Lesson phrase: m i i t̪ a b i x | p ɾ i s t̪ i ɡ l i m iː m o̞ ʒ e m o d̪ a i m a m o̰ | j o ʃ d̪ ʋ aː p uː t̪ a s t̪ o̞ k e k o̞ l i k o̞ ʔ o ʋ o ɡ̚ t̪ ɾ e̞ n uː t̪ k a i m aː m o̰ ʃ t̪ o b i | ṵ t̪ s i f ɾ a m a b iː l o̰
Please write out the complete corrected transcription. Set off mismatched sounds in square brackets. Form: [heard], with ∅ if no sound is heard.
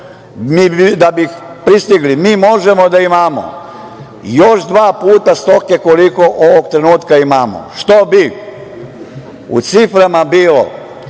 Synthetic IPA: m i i [d̪] a b i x | p ɾ i s t̪ i ɡ l i m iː m o̞ ʒ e m o d̪ a i m a m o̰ | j o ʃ d̪ ʋ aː p uː t̪ a s t̪ o̞ k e k o̞ l i k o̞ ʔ o ʋ o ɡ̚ t̪ ɾ e̞ n uː t̪ k a i m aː m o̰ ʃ t̪ o b i | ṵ t̪ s i f ɾ a m a b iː l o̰